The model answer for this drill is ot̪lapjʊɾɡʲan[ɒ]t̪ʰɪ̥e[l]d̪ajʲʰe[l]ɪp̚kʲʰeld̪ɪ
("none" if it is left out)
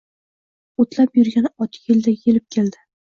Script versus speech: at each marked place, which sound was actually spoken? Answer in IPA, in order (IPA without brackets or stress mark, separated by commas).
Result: ɒ, l, l